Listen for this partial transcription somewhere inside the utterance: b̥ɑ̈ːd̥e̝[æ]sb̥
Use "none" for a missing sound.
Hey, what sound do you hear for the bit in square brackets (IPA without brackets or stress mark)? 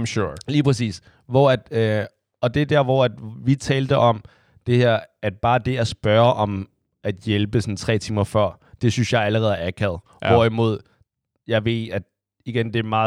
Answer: æ